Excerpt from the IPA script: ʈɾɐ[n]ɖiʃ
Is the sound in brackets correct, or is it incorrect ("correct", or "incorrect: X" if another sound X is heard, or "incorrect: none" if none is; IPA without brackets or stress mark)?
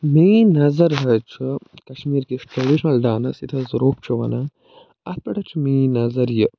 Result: incorrect: none